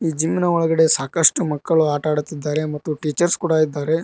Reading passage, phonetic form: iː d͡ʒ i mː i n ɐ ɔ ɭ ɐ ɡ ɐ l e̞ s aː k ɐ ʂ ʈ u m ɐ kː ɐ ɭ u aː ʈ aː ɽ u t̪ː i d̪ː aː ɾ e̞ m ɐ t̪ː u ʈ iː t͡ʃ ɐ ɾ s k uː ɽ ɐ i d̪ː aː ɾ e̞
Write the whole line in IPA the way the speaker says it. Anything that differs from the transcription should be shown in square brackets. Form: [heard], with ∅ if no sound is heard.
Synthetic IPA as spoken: iː d͡ʒ i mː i n ɐ ɔ ɭ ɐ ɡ ɐ [ɽ] e̞ s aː k ɐ ʂ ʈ u m ɐ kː ɐ ɭ u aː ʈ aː ɽ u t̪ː i d̪ː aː ɾ e̞ m ɐ t̪ː u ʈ iː t͡ʃ ɐ ɾ s k uː ɽ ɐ i d̪ː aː ɾ e̞